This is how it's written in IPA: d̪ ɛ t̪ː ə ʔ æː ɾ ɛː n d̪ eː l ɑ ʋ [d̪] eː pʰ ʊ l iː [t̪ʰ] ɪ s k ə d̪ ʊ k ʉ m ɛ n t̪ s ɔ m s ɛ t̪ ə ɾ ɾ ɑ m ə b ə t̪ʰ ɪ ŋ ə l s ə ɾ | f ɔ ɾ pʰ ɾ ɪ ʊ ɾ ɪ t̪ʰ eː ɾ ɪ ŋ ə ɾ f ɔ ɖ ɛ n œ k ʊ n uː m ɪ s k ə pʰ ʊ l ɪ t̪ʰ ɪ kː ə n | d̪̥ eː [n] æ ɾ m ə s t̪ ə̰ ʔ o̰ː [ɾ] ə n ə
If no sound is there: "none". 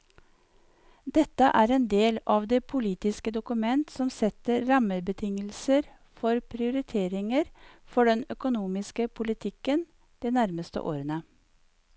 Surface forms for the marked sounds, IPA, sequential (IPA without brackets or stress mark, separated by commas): d̪, t̪, n, ɾ